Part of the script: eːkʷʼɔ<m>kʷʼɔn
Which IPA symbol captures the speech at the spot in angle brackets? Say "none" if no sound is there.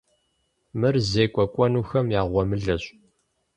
none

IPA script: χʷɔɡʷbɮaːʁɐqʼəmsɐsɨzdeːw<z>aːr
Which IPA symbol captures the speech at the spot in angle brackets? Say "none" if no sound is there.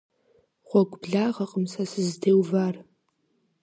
v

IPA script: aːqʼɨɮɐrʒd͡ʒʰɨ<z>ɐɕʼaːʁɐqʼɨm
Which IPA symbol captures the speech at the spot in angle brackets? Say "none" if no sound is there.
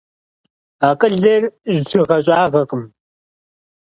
ʁ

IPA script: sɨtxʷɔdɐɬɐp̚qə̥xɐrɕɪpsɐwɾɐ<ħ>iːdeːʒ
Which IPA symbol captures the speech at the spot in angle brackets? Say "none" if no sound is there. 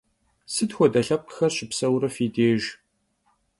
f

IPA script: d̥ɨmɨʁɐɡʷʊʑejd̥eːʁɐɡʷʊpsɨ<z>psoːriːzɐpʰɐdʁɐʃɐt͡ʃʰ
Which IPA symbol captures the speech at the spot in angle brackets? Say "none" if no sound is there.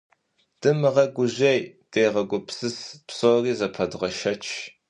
s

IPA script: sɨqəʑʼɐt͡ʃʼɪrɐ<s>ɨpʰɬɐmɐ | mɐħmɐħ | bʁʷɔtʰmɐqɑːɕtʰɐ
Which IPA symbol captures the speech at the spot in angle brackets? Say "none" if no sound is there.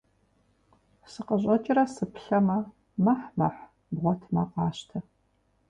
s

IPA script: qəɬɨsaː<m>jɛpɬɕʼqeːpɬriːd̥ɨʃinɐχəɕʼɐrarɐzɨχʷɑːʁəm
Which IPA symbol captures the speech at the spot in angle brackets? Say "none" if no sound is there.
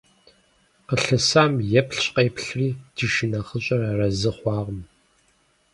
m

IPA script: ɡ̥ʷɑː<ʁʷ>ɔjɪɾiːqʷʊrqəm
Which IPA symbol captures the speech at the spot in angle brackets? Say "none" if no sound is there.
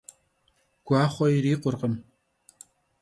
χʷ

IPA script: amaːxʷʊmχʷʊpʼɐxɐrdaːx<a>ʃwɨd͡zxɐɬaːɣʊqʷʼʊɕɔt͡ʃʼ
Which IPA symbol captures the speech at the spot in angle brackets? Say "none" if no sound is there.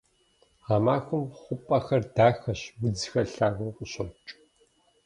ɐ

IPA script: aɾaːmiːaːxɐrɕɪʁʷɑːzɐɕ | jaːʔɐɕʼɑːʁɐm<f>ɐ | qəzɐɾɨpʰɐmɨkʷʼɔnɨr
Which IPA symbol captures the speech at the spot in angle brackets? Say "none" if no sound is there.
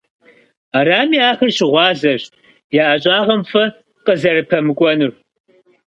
f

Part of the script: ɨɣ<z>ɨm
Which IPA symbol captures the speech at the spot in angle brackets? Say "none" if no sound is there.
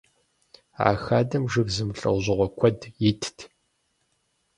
z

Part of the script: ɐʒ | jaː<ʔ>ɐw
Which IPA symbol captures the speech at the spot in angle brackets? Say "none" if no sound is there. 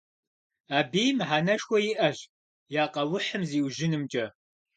q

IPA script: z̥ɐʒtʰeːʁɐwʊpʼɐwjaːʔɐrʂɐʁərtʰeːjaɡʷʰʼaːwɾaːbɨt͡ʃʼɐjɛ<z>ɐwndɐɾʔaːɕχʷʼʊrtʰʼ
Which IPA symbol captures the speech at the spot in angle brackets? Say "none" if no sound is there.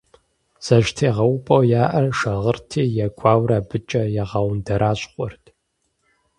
ʁ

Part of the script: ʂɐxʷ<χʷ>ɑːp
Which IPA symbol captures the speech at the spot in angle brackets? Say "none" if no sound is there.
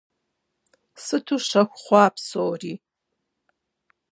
χʷ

